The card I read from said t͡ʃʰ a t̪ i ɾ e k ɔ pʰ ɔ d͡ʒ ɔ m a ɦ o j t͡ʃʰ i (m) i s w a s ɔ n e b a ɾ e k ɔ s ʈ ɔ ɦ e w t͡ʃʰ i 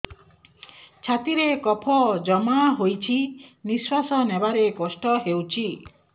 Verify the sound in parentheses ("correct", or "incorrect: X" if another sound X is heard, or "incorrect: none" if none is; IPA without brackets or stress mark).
incorrect: n